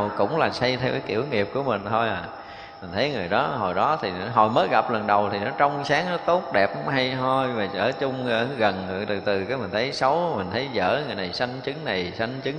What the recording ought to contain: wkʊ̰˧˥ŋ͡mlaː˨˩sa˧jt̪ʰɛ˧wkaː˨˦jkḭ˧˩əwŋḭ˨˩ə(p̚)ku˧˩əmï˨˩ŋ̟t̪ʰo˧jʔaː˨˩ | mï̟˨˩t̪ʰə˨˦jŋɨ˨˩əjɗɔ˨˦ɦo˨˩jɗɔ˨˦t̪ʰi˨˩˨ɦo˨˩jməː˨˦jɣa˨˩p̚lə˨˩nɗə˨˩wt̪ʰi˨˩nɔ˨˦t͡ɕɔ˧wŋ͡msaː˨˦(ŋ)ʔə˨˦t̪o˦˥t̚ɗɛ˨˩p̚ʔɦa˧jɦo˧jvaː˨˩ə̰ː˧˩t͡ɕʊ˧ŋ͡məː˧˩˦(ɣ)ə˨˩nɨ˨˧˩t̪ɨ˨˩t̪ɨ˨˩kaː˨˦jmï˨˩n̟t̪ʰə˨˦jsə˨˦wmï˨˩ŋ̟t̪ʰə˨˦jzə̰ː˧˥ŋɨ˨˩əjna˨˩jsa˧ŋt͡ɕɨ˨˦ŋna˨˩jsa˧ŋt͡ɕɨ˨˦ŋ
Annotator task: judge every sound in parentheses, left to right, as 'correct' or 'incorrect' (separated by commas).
correct, correct, correct